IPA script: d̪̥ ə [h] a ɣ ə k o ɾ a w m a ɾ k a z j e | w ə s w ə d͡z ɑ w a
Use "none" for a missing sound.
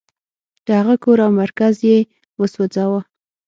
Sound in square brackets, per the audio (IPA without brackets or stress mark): h